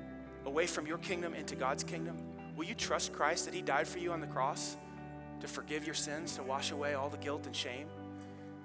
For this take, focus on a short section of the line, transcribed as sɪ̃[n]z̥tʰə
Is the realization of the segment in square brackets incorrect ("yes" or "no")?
no